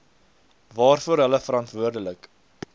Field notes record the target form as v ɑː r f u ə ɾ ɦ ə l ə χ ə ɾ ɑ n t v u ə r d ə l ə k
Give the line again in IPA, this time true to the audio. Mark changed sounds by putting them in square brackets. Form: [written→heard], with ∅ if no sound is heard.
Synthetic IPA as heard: v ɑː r f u ə ɾ ɦ ə l ə [χ→f] ə ɾ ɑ n t v u ə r d ə l ə k